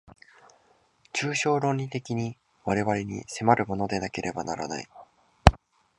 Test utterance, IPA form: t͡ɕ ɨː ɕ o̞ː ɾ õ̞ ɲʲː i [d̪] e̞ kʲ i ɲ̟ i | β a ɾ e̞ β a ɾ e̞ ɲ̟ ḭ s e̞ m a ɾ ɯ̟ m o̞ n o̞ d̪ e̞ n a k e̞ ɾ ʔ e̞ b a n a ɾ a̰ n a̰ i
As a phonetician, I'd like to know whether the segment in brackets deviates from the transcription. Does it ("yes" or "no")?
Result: yes